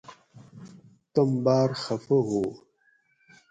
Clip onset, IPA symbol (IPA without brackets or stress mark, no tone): t